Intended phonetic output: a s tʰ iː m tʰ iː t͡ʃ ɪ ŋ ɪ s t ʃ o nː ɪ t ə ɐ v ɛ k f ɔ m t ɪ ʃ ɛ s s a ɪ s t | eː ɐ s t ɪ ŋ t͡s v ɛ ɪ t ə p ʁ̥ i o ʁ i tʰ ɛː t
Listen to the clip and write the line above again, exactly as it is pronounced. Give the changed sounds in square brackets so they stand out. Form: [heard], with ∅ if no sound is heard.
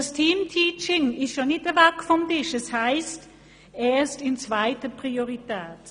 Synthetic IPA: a s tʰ iː m tʰ iː t͡ʃ ɪ ŋ ɪ s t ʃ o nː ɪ t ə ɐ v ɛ k f ɔ m t ɪ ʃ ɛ s [h] a ɪ s t | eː ɐ s t ɪ [n] t͡s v [a] ɪ t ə p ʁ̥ i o ʁ i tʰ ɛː t